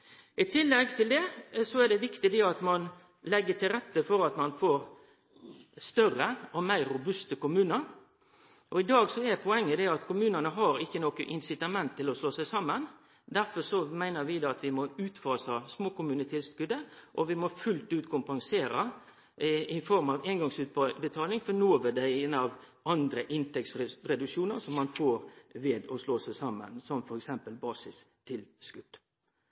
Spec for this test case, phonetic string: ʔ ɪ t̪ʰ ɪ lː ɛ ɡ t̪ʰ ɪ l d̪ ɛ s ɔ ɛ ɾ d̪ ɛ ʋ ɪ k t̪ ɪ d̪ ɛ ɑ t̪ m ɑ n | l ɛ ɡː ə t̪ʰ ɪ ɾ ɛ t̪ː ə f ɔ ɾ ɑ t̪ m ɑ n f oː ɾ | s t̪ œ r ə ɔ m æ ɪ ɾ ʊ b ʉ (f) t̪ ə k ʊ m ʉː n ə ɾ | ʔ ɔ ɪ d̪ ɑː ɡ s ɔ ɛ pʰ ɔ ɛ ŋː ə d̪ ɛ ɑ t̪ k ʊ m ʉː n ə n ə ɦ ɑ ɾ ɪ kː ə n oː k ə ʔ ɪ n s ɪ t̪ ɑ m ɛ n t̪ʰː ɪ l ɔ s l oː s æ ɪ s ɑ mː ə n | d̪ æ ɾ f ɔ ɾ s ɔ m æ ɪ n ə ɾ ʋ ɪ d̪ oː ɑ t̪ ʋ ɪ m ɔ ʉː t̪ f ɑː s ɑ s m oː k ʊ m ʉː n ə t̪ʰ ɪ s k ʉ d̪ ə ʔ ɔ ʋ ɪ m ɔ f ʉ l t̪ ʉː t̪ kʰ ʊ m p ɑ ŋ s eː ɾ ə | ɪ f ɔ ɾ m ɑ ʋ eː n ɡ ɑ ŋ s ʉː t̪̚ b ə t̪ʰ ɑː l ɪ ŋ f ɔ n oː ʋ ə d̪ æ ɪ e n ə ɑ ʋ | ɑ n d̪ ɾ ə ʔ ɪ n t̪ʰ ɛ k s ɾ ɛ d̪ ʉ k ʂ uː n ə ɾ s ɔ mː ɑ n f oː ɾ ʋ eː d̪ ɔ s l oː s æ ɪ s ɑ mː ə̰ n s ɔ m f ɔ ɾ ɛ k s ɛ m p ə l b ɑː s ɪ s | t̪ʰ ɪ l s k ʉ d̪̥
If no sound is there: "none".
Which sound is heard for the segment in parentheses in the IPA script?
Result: s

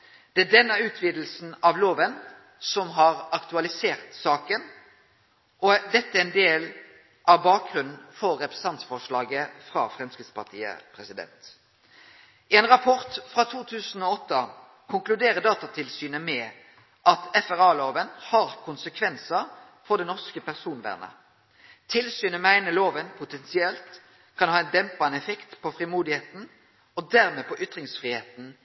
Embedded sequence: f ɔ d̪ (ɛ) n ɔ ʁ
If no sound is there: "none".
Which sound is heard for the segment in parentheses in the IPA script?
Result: ɛ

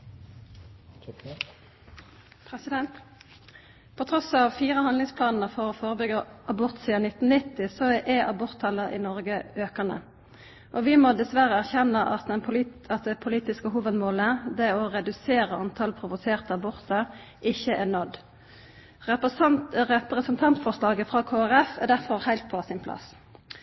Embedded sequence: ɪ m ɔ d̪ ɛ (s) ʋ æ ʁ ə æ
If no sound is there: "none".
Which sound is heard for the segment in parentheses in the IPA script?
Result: s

